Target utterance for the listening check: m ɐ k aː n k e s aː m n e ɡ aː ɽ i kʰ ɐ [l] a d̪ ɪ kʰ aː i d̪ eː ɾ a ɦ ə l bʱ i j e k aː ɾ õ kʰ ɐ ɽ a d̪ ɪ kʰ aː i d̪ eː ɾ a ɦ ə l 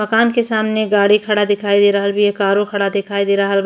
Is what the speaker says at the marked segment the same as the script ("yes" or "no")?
no